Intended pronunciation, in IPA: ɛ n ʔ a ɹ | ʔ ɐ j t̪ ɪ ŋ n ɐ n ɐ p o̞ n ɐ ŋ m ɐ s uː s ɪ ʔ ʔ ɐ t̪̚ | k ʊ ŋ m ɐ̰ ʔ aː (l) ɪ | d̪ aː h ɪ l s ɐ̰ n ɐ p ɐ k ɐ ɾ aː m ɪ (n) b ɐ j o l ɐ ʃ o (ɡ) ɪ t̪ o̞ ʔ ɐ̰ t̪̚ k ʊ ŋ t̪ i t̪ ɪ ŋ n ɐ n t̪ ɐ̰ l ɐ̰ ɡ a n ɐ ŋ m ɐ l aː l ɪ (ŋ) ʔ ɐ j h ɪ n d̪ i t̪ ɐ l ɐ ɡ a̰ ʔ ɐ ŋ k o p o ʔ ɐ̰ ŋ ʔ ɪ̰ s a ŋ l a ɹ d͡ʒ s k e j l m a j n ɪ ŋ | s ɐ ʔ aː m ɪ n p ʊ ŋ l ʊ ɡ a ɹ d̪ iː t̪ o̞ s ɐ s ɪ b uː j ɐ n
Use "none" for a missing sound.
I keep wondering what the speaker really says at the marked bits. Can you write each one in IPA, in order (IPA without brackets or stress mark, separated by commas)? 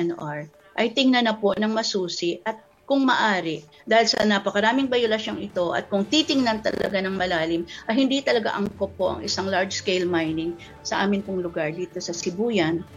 ɾ, ŋ, ŋ, m